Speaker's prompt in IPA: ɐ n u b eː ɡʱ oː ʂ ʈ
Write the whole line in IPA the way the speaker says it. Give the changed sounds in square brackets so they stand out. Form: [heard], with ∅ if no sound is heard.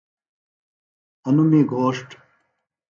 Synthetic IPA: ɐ n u [m] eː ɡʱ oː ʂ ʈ

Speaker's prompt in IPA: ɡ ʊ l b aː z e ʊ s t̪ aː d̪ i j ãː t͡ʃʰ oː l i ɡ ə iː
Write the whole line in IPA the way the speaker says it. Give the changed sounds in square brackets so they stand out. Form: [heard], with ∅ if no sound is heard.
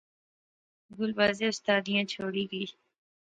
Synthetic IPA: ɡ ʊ l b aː z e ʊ s t̪ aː d̪ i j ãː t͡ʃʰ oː [ɽ] i ɡ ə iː

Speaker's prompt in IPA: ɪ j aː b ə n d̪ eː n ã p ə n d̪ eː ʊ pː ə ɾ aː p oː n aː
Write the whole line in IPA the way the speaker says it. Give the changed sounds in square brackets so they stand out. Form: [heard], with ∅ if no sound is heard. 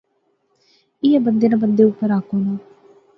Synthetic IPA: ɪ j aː b ə n d̪ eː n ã [b] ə n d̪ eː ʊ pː ə ɾ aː [k] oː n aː

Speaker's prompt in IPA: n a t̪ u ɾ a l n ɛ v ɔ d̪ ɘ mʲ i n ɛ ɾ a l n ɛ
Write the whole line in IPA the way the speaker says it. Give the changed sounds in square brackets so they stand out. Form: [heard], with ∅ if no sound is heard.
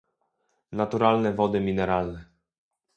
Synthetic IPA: n a t̪ u ɾ a l n ɛ v ɔ d̪ ɘ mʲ i n ɛ ɾ a l n ɛ

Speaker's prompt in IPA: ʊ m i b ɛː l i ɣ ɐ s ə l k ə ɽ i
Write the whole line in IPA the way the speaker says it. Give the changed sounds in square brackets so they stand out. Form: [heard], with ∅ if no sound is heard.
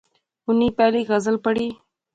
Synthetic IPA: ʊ [n] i [p] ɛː l i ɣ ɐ [z] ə l [p] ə ɽ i

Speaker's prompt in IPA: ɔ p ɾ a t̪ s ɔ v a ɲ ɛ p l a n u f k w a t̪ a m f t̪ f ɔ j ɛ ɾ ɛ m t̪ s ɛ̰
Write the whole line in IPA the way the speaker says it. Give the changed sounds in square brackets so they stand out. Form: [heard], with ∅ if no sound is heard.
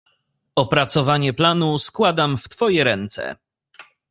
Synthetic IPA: ɔ p ɾ a t̪ s ɔ v a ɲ ɛ p l a n u [s] k w a [d̪] a m f t̪ f ɔ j ɛ ɾ ɛ [n] t̪ s ɛ̰

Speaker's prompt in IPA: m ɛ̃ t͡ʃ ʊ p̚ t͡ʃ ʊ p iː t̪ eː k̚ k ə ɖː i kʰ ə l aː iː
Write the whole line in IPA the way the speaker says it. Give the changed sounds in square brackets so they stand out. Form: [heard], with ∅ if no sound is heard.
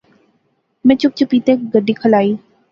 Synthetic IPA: m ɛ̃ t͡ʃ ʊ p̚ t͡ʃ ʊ p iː t̪ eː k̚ [ɡ] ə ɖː i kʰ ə l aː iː

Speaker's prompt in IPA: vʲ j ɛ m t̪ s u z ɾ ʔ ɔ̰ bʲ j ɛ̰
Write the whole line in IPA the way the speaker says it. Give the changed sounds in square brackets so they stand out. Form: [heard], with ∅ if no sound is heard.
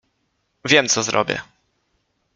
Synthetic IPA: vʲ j ɛ m t̪ s [ɔ] z ɾ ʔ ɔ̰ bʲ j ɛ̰

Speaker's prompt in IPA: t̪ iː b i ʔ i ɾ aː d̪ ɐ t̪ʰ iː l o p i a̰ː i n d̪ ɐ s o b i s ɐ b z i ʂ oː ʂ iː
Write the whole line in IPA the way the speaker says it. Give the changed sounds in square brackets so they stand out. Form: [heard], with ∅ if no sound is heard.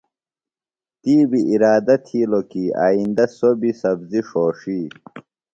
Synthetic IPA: t̪ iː b i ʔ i ɾ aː d̪ ɐ t̪ʰ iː l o [k] i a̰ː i n d̪ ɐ s o b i s ɐ b z i ʂ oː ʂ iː

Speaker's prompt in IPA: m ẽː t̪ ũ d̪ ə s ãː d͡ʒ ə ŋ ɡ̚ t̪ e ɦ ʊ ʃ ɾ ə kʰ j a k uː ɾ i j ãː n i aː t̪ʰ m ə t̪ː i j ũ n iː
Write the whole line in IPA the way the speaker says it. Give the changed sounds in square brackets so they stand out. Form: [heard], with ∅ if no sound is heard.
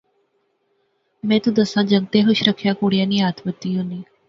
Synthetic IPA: m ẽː t̪ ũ d̪ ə s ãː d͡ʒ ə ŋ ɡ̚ t̪ e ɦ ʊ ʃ ɾ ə kʰ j a k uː [ɽ] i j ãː n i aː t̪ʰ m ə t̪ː i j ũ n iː

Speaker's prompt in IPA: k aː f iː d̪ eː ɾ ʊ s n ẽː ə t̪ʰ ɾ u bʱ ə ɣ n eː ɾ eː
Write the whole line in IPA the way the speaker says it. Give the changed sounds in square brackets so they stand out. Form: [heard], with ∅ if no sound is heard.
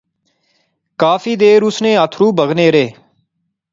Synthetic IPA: k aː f iː d̪ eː ɾ ʊ s n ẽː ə t̪ʰ ɾ [uː] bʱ ə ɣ n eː ɾ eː

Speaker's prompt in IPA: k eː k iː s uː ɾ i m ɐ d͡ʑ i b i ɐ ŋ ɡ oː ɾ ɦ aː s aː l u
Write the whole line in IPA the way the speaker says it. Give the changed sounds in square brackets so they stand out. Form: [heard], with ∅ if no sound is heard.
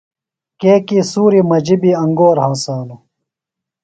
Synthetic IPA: k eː k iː s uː ɾ i m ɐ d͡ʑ i b i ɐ ŋ ɡ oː ɾ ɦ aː s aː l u

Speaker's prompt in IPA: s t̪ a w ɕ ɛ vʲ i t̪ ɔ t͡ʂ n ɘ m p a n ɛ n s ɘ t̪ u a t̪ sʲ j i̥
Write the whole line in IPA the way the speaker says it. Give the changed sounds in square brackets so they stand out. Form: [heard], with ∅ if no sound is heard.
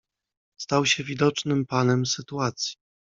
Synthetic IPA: s t̪ a w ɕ ɛ vʲ i [d̪] ɔ t͡ʂ n ɘ m p a n ɛ [m] s ɘ t̪ u a t̪ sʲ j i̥

